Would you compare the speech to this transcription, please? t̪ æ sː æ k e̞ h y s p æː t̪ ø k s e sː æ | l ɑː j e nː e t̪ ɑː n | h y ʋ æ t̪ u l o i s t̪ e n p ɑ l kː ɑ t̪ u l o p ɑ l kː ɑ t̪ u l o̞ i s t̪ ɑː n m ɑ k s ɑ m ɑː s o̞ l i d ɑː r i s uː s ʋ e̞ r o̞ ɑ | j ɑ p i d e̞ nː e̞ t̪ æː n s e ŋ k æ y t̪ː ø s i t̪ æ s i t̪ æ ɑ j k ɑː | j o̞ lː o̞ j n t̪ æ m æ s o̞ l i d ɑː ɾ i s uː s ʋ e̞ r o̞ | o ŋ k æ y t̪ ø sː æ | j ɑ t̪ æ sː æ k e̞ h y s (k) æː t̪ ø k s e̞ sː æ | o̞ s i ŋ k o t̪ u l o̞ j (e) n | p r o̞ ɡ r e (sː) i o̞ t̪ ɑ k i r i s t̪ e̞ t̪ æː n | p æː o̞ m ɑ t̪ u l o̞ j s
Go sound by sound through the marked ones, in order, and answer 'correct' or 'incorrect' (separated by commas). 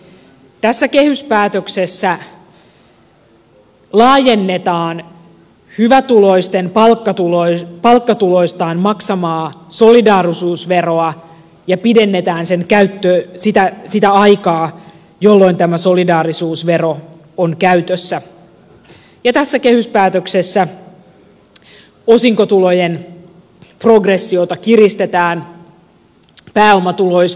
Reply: incorrect, correct, correct